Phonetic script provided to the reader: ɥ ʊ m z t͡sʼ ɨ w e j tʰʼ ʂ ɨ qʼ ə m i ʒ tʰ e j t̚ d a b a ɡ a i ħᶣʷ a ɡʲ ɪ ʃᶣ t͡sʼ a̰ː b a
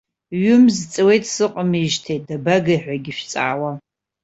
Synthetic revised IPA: ɥ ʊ m z t͡sʼ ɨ w e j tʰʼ s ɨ qʼ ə m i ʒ tʰ e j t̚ d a b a ɡ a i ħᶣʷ a ɡʲ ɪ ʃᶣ t͡sʼ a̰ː w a